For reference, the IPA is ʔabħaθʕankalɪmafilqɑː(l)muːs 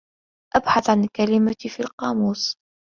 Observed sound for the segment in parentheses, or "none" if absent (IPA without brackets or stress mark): none